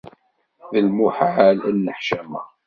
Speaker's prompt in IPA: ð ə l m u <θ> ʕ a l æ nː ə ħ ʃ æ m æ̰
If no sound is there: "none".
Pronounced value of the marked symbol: ħ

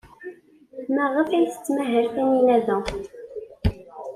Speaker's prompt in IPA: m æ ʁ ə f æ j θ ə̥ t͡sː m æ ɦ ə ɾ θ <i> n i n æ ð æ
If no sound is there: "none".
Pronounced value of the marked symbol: æ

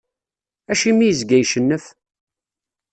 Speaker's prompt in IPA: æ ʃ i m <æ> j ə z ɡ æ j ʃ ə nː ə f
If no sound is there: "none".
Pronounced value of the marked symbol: i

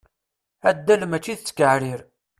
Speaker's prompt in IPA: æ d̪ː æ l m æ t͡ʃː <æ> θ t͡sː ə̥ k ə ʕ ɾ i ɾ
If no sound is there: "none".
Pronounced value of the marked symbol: i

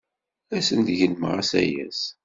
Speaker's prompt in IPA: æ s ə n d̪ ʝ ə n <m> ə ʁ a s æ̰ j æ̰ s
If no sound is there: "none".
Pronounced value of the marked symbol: m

